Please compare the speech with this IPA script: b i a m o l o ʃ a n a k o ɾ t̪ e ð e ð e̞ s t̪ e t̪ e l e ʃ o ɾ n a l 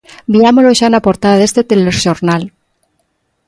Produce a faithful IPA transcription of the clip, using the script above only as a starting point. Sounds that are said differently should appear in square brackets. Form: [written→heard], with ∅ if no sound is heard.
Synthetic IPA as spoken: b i a m o l o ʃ a n a [k→p] o ɾ t̪ [e→a] ð [e→a] ð e̞ s t̪ e t̪ e l e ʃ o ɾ n a l